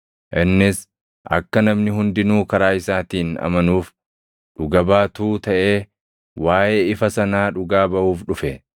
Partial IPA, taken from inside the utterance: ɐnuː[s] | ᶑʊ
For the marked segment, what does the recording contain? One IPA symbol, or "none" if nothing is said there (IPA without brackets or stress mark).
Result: f